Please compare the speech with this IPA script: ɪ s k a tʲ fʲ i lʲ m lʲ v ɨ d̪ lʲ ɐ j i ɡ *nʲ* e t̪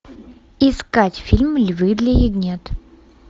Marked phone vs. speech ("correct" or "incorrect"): correct